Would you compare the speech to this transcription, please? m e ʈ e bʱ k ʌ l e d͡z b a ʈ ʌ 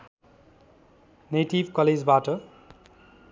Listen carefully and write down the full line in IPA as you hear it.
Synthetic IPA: n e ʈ i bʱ k ʌ l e d͡z b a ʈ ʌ